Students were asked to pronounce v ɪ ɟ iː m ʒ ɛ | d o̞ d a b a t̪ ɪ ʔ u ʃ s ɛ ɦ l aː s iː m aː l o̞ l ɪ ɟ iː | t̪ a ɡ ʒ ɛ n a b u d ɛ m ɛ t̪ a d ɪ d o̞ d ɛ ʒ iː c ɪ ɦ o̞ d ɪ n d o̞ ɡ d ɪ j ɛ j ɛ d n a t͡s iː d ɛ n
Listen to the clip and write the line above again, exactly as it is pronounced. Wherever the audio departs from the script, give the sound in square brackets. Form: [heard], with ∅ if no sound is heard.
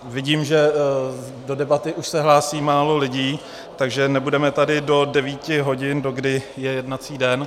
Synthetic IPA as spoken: v ɪ ɟ iː m ʒ ɛ | d o̞ d [ɛ] b a t̪ ɪ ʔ u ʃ s ɛ ɦ l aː s iː m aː l o̞ l ɪ ɟ iː | t̪ a ɡ ʒ ɛ n [ɛ] b u d ɛ m ɛ t̪ a d ɪ d o̞ d ɛ [v] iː c ɪ ɦ o̞ [ɟ] ɪ n d o̞ ɡ d ɪ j ɛ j ɛ d n a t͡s iː d ɛ n

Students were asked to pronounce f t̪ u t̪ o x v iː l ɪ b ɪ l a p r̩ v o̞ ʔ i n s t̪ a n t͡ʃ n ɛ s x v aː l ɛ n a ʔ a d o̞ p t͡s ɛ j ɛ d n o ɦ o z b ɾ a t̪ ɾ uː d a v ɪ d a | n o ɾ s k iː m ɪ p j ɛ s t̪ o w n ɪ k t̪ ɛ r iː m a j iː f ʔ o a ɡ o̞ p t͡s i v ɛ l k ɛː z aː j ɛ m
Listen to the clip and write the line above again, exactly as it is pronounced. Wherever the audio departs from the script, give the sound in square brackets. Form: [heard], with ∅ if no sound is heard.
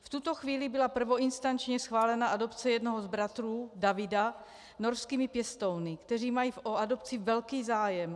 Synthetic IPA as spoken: f t̪ u t̪ o x v iː l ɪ b ɪ l a p r̩ v o̞ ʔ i n s t̪ a n t͡ʃ [ɲ] ɛ s x v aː l ɛ n a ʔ a d o̞ p t͡s ɛ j ɛ d n o ɦ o z b ɾ a t̪ ɾ uː d a v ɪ d a | n o ɾ s k iː m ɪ p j ɛ s t̪ o w n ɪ k t̪ ɛ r iː m a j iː f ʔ o a [d] o̞ p t͡s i v ɛ l k [iː] z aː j ɛ m

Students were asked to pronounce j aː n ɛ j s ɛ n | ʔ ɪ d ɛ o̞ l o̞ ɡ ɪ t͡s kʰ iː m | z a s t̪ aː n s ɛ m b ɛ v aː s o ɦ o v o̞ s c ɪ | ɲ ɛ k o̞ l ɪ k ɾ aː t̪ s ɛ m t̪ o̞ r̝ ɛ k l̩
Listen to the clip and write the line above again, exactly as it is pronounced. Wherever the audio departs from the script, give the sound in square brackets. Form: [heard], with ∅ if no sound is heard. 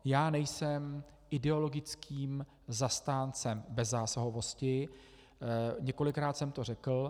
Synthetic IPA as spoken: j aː n ɛ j s ɛ [m] | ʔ ɪ d ɛ o̞ l o̞ ɡ ɪ t͡s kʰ iː m | z a s t̪ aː n [t͡s] ɛ m b ɛ [z] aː s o ɦ o v o̞ s c ɪ | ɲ ɛ k o̞ l ɪ k ɾ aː t̪ s ɛ m t̪ o̞ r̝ ɛ k l̩

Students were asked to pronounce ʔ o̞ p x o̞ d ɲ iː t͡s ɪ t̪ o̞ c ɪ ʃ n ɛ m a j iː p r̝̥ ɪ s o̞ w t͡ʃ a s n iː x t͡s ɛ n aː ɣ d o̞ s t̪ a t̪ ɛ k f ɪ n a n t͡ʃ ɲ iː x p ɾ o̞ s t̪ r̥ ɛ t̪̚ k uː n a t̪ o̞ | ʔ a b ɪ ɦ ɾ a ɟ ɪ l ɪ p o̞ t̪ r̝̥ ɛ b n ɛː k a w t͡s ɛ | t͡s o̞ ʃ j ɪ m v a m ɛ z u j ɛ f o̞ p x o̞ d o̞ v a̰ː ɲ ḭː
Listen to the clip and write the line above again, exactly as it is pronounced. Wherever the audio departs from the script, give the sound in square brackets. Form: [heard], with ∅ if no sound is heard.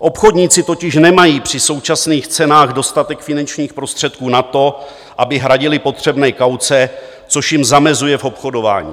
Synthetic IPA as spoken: ʔ o̞ p x o̞ d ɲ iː t͡s ɪ t̪ o̞ c ɪ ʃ n ɛ m a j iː p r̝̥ ɪ s o̞ w t͡ʃ a s n iː x t͡s ɛ n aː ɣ d o̞ s t̪ a t̪ ɛ k f ɪ n a n t͡ʃ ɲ iː x p ɾ o̞ s t̪ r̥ ɛ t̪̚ k uː n a t̪ o̞ | ʔ a b ɪ ɦ ɾ a ɟ ɪ l ɪ p o̞ t̪ r̝̥ ɛ b n ɛː k a w t͡s ɛ | t͡s o̞ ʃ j ɪ m [z] a m ɛ z u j ɛ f o̞ p x o̞ d o̞ v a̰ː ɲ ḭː

